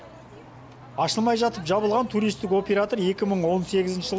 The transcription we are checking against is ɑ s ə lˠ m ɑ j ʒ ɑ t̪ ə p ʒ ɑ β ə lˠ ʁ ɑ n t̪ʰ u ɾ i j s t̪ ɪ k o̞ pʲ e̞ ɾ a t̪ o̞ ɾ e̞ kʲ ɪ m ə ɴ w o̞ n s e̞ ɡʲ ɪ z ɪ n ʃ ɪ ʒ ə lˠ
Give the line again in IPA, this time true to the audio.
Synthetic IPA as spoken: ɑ ʃ ə lˠ m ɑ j ʒ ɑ t̪ ə p ʒ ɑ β ə lˠ ʁ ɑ n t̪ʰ u ɾ i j s t̪ ɪ k o̞ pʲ e̞ ɾ a t̪ o̞ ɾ e̞ kʲ ɪ m ə ɴ w o̞ n s e̞ ɡʲ ɪ z ɪ n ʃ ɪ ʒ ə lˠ